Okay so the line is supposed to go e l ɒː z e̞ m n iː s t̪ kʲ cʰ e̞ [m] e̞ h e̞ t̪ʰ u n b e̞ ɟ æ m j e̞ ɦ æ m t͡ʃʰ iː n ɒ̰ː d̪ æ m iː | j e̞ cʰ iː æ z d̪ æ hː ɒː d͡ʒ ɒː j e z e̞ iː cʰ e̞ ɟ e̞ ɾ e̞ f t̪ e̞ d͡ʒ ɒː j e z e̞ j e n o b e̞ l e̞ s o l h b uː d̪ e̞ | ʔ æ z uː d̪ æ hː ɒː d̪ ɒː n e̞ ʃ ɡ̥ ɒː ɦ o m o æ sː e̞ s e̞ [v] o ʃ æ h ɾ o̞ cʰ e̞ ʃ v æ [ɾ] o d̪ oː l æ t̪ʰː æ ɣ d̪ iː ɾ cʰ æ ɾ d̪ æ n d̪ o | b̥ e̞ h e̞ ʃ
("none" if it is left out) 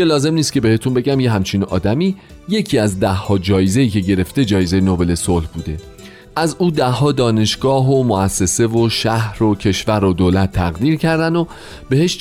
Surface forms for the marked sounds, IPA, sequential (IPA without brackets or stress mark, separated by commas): b, v, ɾ